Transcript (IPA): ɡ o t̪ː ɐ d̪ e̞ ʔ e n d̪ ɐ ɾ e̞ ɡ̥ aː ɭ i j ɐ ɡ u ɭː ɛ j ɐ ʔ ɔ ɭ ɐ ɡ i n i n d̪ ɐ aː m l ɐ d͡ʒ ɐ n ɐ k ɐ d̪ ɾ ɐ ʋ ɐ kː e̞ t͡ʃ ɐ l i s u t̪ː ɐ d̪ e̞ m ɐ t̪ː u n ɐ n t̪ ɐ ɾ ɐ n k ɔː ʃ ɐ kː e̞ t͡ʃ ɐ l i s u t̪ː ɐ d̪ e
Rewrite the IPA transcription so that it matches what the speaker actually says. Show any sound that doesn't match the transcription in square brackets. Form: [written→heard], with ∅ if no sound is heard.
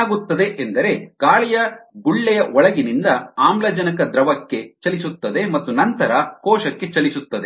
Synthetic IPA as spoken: ɡ [o→u] t̪ː ɐ d̪ e̞ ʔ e n d̪ ɐ ɾ e̞ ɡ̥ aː ɭ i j ɐ ɡ u ɭː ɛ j ɐ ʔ ɔ ɭ ɐ ɡ i n i n d̪ ɐ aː m l ɐ d͡ʒ ɐ n ɐ k ɐ d̪ ɾ ɐ ʋ ɐ kː e̞ t͡ʃ ɐ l i s u t̪ː ɐ d̪ e̞ m ɐ t̪ː u n ɐ n t̪ ɐ ɾ ɐ [n→∅] k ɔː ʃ ɐ kː e̞ t͡ʃ ɐ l i s u t̪ː ɐ d̪ e